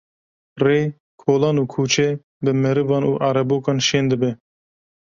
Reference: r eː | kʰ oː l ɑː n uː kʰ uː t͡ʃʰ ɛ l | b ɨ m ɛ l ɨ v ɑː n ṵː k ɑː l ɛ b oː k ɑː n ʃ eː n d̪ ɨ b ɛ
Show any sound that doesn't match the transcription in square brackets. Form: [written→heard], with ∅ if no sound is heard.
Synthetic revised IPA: r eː | kʰ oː l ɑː n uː kʰ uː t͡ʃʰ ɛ [l→∅] | b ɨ m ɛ [l→ɾ] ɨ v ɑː n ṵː [k→ʔ] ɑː [l→ɾ] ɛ b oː k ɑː n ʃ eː n d̪ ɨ b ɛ